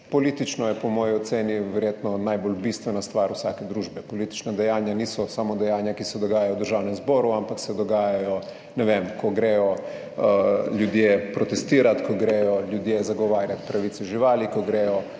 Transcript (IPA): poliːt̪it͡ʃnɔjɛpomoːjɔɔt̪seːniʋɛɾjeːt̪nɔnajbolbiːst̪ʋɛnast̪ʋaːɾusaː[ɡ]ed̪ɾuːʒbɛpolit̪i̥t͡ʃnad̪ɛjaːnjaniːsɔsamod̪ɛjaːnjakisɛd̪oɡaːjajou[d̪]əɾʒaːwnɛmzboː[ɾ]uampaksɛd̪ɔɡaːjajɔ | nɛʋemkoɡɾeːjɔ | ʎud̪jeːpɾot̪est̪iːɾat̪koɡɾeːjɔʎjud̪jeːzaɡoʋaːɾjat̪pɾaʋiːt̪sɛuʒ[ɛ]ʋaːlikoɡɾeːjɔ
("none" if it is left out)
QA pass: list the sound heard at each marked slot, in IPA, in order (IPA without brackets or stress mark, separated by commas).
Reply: k, d̪, ɾ, i